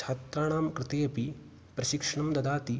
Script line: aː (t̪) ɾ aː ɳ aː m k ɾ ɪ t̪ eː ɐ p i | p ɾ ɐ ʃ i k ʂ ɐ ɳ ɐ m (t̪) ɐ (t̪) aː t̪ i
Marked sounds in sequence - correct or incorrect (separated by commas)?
correct, incorrect, incorrect